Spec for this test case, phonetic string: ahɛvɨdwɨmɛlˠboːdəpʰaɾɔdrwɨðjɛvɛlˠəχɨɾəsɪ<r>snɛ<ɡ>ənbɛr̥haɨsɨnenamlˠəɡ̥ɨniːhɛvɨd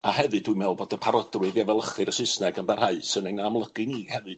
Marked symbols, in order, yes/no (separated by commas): no, yes